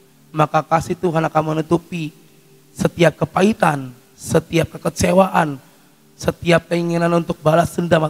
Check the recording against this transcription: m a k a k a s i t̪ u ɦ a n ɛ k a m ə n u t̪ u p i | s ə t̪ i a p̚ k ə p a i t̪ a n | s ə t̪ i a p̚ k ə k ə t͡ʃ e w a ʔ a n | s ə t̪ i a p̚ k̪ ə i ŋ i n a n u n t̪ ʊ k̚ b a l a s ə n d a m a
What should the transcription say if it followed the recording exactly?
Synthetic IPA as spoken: m a k a k a s i t̪ u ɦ a n a k a m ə n u t̪ u p i | s ə t̪ i a p̚ k ə p a i t̪ a n | s ə t̪ i a p̚ k ə k ə t͡ʃ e w a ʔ a n | s ə t̪ i a p̚ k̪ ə i ŋ i n a n u n t̪ ʊ k̚ b a l a s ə n d a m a